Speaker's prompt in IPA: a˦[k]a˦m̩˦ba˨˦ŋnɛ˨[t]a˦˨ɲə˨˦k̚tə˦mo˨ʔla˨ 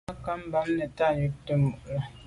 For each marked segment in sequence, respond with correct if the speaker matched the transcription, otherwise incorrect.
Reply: correct, correct

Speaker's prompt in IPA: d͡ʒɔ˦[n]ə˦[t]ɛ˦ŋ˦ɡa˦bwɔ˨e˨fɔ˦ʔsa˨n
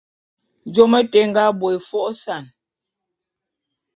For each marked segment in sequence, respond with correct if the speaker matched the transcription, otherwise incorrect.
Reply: incorrect, correct

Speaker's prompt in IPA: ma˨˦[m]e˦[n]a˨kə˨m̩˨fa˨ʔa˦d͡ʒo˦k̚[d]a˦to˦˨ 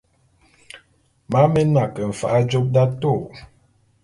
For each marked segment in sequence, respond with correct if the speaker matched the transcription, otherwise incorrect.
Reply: correct, correct, correct

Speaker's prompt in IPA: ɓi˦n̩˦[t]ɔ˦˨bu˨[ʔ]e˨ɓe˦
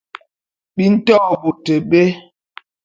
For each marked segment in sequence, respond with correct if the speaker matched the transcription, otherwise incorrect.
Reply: correct, incorrect

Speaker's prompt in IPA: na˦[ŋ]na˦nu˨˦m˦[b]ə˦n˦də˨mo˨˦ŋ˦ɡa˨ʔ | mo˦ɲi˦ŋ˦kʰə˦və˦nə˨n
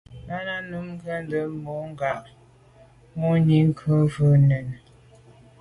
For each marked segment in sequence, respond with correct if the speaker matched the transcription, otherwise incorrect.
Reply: incorrect, incorrect

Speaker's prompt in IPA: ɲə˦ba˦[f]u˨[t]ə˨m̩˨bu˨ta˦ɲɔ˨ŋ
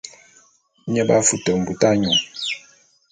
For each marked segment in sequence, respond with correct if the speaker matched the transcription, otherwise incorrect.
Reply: correct, correct

